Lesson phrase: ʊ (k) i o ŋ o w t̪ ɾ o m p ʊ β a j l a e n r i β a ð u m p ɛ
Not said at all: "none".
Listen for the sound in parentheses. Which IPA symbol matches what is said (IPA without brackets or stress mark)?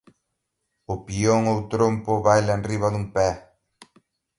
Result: p